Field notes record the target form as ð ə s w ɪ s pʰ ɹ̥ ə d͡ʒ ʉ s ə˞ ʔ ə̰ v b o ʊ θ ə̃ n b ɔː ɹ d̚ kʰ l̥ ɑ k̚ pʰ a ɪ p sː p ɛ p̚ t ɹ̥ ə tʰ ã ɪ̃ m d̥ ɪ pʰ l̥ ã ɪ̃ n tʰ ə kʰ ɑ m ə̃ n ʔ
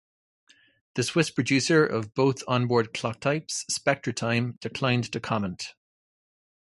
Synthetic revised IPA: ð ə s w ɪ s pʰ ɹ̥ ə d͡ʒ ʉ s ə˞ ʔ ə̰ v b o ʊ θ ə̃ n b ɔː ɹ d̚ kʰ l̥ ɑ k̚ tʰ a ɪ p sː p ɛ k̚ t ɹ̥ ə tʰ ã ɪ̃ m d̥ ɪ kʰ l̥ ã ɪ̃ n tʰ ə kʰ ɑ m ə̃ n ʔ